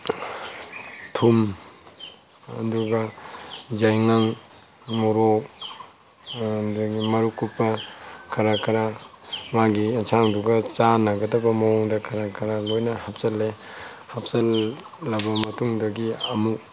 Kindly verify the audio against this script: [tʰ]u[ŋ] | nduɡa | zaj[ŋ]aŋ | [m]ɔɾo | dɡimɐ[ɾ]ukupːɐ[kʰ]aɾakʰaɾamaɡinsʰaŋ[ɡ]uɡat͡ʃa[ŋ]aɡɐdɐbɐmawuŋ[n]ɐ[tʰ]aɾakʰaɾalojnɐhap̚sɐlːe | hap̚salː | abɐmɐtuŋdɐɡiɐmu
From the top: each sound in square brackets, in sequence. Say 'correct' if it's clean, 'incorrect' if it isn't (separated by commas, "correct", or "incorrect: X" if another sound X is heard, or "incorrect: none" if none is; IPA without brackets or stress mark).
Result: correct, incorrect: m, correct, correct, correct, correct, incorrect: d, incorrect: n, incorrect: d, incorrect: kʰ